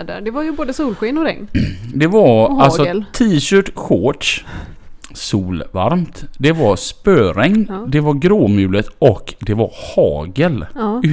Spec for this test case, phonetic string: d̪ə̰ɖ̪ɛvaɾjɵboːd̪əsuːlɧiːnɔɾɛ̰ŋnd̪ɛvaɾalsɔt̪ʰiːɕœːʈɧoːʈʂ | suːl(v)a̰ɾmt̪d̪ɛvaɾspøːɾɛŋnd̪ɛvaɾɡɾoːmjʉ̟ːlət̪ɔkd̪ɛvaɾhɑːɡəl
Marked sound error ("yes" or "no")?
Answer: no